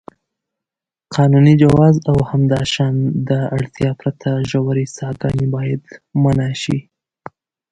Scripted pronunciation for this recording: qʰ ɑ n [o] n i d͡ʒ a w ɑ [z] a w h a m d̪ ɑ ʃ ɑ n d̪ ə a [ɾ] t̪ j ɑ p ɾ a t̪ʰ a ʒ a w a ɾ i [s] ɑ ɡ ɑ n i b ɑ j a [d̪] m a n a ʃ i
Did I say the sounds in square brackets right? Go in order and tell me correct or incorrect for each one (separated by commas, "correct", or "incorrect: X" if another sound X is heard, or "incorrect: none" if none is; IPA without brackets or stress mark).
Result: incorrect: u, correct, incorrect: ɽ, correct, correct